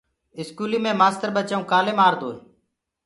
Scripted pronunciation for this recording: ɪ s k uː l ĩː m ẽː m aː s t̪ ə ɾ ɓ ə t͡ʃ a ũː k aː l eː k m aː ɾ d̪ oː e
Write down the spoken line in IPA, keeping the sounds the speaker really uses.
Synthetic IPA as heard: ɪ s k uː l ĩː m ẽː m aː s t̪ ə ɾ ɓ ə t͡ʃ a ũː k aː l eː m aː ɾ d̪ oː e